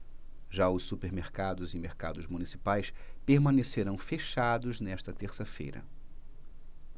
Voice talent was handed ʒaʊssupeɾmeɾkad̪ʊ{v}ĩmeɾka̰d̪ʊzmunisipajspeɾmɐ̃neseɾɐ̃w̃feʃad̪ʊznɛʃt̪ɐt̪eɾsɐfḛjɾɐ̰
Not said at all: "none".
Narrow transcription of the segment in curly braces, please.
z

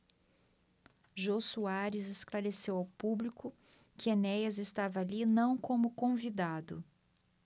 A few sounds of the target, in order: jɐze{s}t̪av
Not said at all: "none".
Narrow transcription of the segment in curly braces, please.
s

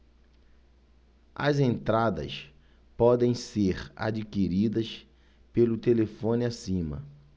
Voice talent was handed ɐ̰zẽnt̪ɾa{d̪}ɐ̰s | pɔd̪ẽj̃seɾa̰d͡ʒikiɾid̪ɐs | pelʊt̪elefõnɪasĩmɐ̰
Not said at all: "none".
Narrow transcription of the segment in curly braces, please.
d̪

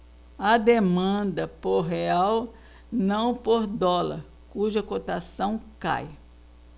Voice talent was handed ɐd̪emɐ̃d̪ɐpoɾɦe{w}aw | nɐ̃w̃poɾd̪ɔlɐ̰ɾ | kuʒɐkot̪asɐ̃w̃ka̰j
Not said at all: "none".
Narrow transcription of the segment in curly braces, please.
none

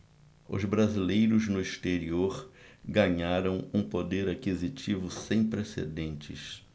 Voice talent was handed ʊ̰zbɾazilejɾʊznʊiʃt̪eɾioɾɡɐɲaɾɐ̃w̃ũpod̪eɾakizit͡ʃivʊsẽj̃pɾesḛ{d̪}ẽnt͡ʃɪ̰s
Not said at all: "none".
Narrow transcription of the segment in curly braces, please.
d̪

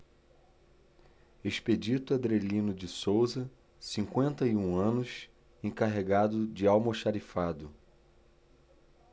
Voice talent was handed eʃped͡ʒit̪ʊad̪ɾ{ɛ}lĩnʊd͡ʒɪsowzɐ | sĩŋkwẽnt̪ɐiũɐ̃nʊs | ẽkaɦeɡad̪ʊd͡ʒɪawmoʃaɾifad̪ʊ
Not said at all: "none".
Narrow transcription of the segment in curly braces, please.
e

